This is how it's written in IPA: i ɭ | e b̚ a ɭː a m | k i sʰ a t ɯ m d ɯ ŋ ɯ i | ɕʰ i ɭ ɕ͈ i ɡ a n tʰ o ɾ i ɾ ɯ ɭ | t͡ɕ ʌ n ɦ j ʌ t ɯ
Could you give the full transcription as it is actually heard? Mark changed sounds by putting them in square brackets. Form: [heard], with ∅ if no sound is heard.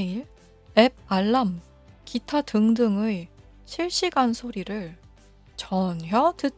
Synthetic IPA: i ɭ | e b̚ a ɭː a m | k i [tʰ] a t ɯ [ŋ] d ɯ ŋ ɯ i | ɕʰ i ɭ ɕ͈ i ɡ a n [sʰ] o ɾ i ɾ ɯ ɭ | t͡ɕ ʌ n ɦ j ʌ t ɯ